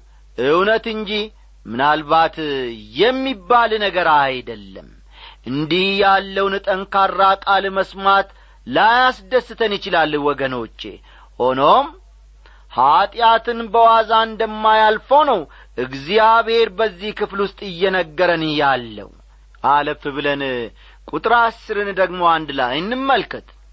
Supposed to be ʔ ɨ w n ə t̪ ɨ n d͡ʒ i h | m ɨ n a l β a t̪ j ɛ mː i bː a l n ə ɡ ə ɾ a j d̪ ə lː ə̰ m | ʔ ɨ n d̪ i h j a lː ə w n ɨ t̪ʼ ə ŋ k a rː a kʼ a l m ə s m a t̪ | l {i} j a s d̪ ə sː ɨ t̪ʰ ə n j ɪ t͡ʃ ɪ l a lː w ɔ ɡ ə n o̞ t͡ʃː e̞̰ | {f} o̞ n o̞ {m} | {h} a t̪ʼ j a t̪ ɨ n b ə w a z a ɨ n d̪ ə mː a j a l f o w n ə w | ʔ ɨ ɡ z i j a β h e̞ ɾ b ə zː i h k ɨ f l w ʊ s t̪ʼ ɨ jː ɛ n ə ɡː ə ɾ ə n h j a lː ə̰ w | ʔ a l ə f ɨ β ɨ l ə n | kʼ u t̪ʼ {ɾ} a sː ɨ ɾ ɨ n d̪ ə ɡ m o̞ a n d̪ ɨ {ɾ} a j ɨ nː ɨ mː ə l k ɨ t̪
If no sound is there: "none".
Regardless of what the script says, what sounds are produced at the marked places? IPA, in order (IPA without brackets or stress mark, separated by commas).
a, h, m, h, ɾ, l